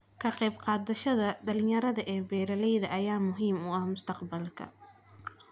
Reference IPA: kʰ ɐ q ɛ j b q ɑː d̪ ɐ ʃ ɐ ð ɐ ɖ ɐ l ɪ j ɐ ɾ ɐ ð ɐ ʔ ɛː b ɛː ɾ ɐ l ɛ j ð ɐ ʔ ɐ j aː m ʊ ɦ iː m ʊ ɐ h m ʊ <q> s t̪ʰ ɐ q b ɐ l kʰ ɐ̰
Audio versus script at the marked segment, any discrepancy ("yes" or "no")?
yes